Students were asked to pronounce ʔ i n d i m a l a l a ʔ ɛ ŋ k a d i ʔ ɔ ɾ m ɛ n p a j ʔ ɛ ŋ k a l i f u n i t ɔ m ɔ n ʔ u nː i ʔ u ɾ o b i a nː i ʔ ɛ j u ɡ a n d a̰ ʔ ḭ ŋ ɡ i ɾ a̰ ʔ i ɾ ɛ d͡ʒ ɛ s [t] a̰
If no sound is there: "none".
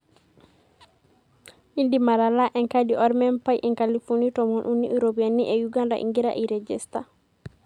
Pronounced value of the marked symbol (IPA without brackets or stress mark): t